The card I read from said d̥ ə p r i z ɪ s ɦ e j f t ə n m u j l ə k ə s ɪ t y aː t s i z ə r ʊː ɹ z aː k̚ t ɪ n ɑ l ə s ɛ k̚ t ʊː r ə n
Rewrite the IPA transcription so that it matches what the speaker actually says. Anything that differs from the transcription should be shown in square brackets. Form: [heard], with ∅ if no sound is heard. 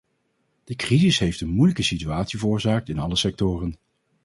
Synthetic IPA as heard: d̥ ə [k] r i z ɪ s ɦ e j f t ə n m u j l ə k ə s [i] t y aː t s i [v] ə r ʊː ɹ z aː k̚ t ɪ n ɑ l ə s ɛ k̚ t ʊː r ə n